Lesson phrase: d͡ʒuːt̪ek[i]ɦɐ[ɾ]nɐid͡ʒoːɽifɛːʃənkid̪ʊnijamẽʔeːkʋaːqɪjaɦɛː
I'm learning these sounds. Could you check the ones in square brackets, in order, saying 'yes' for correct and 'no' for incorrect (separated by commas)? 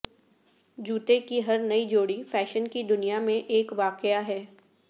yes, yes